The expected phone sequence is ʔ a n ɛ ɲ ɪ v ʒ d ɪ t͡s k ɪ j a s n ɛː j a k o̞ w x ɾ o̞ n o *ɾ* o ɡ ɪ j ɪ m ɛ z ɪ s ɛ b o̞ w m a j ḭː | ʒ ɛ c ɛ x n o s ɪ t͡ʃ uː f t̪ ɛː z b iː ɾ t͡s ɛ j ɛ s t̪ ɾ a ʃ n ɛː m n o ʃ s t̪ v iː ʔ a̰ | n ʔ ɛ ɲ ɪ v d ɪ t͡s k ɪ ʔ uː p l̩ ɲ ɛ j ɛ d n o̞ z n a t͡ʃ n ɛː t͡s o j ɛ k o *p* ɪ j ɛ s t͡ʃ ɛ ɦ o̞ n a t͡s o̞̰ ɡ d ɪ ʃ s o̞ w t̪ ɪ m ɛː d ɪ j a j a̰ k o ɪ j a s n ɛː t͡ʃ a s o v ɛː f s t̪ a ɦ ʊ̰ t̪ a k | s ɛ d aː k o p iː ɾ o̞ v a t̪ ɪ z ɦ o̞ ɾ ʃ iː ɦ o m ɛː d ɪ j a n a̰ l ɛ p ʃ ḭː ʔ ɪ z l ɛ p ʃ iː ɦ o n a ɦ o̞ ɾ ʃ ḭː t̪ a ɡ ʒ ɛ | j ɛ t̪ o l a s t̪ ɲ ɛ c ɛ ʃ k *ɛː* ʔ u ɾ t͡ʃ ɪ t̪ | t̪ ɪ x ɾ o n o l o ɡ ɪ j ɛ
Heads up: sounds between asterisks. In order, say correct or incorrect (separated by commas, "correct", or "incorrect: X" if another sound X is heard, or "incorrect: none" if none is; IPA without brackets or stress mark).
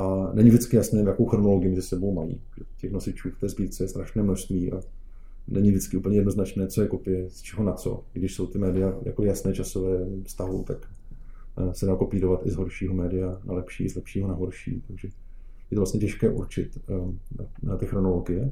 incorrect: l, correct, correct